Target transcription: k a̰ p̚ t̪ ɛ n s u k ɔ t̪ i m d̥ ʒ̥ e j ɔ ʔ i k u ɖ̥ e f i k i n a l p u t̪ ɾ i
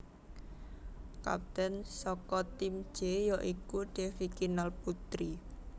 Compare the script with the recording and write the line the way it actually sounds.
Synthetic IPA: k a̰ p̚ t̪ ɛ n s ɔ k ɔ t̪ i m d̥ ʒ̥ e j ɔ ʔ i k u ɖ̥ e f i k i n a l p u t̪ ɾ i